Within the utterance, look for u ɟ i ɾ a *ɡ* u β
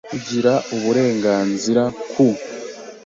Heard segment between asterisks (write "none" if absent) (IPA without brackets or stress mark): none